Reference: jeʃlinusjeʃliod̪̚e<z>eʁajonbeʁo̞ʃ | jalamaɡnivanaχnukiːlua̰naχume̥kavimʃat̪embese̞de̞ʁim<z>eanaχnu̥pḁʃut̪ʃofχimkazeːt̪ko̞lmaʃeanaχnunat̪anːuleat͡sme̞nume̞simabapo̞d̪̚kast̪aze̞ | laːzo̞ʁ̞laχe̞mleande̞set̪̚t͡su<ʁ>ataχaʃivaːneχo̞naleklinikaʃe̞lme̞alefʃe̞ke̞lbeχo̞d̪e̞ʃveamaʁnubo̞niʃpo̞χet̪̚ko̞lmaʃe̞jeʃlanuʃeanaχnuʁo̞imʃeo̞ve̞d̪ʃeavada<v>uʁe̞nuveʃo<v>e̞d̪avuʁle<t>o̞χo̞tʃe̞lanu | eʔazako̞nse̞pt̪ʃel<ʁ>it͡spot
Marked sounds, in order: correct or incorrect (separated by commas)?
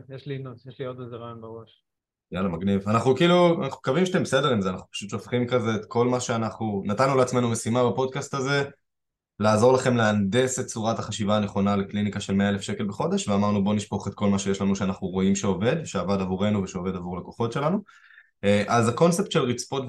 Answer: correct, correct, correct, correct, correct, incorrect, correct